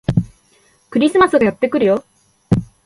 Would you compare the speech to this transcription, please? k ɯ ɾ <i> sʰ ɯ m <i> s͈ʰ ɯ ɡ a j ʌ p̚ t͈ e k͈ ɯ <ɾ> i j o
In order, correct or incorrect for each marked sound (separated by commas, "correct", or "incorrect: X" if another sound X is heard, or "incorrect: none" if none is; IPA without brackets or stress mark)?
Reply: correct, incorrect: a, correct